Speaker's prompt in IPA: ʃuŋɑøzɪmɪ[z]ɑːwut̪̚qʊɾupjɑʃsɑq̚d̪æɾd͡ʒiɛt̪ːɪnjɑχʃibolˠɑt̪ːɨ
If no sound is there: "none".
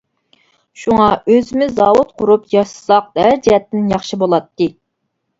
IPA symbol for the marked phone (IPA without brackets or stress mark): z